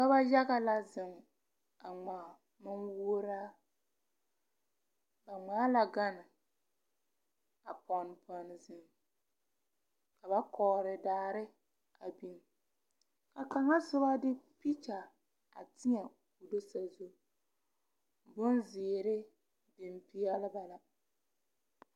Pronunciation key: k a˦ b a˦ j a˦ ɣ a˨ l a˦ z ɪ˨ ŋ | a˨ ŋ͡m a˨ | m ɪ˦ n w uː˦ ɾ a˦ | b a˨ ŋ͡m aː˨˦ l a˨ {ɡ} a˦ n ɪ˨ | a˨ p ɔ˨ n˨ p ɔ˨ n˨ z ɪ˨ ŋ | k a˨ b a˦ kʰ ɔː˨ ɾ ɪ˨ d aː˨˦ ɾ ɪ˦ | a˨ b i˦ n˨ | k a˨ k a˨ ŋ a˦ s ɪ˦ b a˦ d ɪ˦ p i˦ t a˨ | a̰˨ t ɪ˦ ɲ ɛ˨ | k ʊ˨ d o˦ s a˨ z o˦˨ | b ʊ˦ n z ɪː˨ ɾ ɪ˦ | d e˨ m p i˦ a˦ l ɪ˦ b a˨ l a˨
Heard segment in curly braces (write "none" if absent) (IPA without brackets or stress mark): ɡ